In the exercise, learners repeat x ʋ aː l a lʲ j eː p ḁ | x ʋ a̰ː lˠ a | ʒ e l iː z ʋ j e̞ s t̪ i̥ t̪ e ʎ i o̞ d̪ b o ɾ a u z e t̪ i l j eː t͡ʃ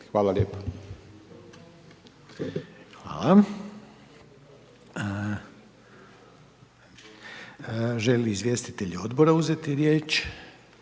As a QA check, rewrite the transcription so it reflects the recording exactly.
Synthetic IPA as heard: x ʋ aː l a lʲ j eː p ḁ | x ʋ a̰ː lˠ a | ʒ e l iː z ʋ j e̞ s t̪ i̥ t̪ e ʎ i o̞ d̪ b o ɾ a u z e t̪ i ɾ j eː t͡ʃ

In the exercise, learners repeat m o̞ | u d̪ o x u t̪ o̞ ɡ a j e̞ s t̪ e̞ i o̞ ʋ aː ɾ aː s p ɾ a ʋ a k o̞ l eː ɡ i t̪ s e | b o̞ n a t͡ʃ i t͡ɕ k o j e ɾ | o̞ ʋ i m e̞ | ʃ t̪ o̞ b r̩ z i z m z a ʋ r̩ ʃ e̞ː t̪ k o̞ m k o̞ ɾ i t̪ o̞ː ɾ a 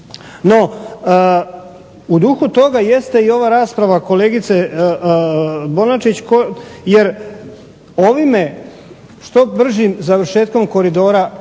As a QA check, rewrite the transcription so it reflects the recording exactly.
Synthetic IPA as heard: n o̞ | u d̪ u x u t̪ o̞ ɡ a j e̞ s t̪ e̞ i o̞ ʋ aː ɾ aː s p ɾ a ʋ a k o̞ l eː ɡ i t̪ s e | b o̞ n a t͡ʃ i t͡ɕ k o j e ɾ | o̞ ʋ i m e̞ | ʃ t̪ o̞ b r̩ ʒ i m z a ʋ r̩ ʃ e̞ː t̪ k o̞ m k o̞ ɾ i d̪ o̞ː ɾ a

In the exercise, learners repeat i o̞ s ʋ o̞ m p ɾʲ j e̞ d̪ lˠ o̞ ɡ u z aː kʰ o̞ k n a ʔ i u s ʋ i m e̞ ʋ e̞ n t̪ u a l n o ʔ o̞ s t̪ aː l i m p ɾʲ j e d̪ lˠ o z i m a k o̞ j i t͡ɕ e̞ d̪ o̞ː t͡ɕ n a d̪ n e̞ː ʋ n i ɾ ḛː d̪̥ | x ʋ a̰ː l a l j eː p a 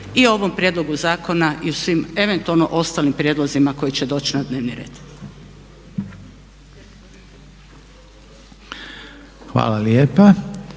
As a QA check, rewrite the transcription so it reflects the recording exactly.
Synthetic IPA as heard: i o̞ ʋ o̞ m p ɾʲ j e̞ d̪ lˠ o̞ ɡ u z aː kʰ o̞ n a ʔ i u s ʋ i m e̞ ʋ e̞ n t̪ u a l n o ʔ o̞ s t̪ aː l i m p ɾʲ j e d̪ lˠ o z i m a k o̞ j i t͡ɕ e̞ d̪ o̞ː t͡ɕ n a d̪ n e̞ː ʋ n i ɾ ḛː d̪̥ | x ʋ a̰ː l a l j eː p a

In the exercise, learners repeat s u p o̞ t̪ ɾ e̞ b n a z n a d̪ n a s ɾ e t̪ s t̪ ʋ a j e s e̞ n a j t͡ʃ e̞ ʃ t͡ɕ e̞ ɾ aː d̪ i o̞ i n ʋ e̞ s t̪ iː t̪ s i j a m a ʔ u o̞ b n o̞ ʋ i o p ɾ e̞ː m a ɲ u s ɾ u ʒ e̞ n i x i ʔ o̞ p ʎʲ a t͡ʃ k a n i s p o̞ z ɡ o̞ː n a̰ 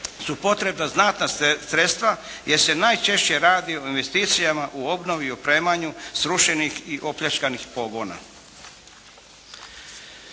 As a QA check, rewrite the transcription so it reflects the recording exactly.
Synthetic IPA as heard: s u p o̞ t̪ ɾ e̞ b n a z n a t̪ n a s ɾ e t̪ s t̪ ʋ a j e s e̞ n a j t͡ʃ e̞ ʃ t͡ɕ e̞ ɾ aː d̪ i o̞ i n ʋ e̞ s t̪ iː t̪ s i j a m a ʔ u o̞ b n o̞ ʋ i o p ɾ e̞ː m a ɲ u s ɾ u ʃ e̞ n i x i ʔ o̞ p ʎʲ a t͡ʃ k a n i x p o̞ ɡ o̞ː n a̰

